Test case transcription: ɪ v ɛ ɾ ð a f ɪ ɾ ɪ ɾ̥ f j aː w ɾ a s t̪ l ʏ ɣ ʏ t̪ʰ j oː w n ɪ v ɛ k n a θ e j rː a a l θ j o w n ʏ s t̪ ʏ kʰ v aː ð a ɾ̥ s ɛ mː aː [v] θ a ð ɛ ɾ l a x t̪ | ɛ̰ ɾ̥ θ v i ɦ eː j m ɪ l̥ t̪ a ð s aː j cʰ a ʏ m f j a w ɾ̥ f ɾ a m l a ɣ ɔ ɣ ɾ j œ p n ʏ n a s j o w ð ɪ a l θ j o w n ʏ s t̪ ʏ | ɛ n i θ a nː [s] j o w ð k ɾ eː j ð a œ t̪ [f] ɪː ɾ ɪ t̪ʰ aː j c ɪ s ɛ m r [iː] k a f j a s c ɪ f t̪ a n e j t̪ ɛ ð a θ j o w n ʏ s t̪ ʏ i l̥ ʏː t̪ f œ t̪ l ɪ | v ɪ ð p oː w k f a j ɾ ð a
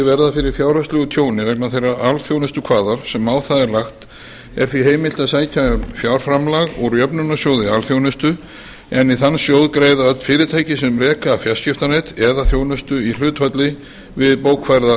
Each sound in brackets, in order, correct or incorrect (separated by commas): incorrect, correct, correct, incorrect